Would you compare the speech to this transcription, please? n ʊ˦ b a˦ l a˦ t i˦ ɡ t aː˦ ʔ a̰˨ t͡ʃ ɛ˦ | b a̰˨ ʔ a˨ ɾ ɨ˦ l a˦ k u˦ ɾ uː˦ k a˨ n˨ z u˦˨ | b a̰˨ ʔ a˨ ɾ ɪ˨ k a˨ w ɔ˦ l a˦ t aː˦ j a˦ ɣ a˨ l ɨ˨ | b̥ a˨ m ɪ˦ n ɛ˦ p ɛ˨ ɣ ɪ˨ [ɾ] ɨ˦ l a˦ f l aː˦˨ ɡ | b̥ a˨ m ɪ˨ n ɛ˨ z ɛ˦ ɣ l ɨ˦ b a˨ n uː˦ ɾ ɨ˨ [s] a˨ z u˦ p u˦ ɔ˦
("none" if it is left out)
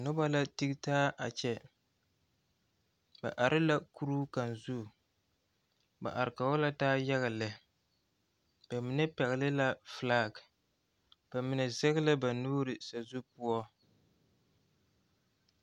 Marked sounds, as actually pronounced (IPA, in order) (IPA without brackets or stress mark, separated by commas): l, s